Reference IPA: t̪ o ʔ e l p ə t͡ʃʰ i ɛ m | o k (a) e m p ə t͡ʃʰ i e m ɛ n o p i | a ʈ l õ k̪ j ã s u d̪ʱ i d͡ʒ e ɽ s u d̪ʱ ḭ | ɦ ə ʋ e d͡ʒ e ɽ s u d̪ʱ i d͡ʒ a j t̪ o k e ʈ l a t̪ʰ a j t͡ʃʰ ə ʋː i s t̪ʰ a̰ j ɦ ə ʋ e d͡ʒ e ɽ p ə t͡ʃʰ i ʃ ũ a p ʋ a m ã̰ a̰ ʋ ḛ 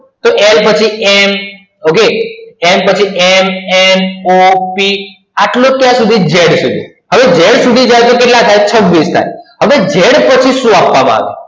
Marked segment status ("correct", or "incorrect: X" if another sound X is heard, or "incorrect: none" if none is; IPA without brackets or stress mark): incorrect: e